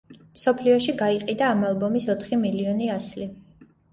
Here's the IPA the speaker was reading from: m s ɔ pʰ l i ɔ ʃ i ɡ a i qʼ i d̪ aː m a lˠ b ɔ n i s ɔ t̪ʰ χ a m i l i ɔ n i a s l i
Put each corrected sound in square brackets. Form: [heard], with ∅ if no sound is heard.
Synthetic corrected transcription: m s ɔ pʰ l i ɔ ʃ i ɡ a i qʼ i d̪ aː m a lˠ b ɔ [m] i s ɔ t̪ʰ χ [i] m i l i ɔ n i a s l i